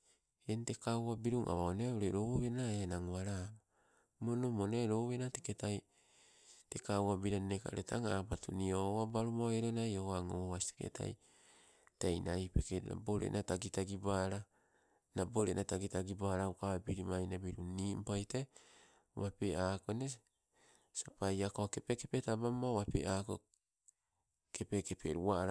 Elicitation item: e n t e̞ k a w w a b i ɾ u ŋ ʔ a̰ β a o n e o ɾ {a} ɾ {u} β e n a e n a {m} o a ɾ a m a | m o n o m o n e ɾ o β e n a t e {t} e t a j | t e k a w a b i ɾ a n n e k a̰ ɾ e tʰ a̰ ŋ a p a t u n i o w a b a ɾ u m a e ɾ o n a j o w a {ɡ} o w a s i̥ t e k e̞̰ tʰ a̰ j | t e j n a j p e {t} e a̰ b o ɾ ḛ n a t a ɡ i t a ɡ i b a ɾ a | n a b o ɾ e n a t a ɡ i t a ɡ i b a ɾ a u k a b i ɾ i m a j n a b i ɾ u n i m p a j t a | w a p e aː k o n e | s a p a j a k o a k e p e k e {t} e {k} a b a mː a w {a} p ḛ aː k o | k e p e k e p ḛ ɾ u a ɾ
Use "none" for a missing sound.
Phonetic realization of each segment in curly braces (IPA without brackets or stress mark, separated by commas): e, o, ŋ, k, ŋ, k, p, t, a